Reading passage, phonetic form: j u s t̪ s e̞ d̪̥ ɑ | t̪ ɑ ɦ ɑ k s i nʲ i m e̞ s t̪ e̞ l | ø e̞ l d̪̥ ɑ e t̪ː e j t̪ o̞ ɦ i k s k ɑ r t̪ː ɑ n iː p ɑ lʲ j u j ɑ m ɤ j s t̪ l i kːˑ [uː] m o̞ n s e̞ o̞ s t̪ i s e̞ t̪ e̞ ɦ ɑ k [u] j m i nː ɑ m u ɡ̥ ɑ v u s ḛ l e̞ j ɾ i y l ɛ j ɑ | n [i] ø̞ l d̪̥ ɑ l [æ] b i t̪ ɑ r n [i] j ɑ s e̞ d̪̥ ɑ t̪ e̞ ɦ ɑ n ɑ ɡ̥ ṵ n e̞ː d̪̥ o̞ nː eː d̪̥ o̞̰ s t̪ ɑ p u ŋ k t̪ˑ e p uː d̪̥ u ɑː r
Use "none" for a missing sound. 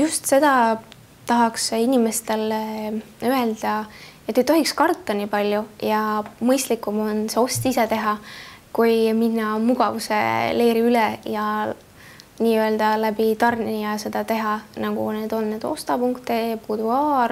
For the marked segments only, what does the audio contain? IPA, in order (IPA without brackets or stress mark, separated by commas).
u, u, iː, æ, i